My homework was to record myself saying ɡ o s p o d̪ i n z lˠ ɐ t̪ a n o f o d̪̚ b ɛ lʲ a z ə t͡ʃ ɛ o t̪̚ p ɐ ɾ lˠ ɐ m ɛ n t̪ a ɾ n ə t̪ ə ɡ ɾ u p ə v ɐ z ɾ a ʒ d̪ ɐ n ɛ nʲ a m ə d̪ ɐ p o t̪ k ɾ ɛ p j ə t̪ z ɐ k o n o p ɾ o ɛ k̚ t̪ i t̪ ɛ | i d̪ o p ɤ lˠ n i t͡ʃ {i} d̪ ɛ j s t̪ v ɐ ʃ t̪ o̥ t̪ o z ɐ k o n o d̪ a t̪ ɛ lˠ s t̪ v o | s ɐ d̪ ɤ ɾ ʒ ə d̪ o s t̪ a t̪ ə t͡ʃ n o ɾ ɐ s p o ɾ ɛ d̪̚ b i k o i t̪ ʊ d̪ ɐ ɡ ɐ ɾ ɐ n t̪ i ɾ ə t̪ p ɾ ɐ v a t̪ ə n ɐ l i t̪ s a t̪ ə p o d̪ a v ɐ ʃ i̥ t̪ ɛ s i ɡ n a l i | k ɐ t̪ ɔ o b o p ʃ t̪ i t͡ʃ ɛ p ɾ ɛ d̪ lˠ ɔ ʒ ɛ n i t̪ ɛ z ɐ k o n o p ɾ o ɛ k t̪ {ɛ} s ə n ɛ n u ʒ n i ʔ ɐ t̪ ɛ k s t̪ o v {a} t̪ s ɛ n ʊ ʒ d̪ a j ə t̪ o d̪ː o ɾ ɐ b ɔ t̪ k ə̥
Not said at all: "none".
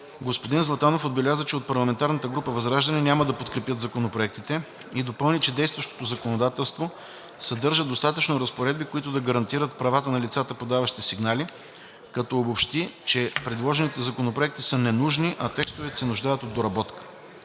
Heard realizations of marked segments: ɛ, i, ɛ

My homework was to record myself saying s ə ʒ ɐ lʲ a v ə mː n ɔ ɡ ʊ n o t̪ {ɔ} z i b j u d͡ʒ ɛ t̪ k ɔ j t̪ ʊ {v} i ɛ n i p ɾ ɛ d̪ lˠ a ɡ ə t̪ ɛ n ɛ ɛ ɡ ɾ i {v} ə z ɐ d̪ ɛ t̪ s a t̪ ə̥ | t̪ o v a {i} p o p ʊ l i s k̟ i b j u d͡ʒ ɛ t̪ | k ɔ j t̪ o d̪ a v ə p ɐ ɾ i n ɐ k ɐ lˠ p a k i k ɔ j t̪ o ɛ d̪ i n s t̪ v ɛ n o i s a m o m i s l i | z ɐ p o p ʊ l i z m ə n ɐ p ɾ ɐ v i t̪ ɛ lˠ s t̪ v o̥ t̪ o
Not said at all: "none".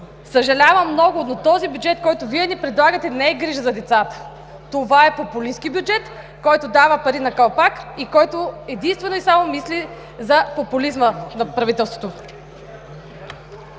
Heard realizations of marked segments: ɔ, v, ʒ, ɛ

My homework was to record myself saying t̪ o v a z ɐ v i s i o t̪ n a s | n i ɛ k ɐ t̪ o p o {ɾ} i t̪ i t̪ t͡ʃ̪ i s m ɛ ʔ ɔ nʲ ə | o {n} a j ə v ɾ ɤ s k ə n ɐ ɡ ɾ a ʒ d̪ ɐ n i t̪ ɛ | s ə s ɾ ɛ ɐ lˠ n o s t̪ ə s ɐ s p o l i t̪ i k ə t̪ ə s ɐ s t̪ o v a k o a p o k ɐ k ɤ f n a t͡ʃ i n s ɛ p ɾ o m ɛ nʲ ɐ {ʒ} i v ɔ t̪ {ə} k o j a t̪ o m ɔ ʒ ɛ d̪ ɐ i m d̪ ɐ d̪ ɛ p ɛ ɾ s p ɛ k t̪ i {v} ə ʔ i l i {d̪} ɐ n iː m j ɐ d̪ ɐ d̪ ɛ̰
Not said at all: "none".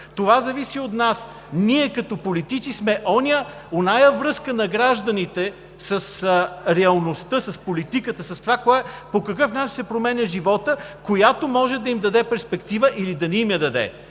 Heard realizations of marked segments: l, n, ʒ, ə, v, d̪

